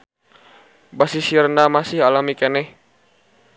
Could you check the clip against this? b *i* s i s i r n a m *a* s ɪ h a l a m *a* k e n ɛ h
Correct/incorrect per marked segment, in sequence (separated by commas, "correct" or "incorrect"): incorrect, correct, incorrect